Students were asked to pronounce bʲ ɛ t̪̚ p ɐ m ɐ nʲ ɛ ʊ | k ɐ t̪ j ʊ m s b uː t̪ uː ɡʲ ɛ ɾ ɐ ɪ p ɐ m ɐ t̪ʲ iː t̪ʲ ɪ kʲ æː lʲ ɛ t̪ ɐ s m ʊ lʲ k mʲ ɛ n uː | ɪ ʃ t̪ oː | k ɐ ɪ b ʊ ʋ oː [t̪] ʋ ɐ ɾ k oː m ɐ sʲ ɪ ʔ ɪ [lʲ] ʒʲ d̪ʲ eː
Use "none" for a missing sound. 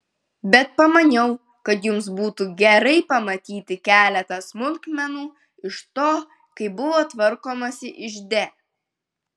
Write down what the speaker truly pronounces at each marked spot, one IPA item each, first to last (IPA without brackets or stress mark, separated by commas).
t̪, none